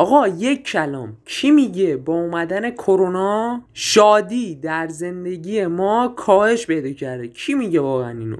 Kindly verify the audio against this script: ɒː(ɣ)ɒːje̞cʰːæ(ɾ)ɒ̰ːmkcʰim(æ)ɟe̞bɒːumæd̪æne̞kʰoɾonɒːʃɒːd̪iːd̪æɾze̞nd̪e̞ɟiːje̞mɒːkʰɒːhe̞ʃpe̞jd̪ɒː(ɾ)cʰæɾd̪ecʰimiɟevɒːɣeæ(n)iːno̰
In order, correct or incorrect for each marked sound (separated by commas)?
correct, incorrect, incorrect, incorrect, correct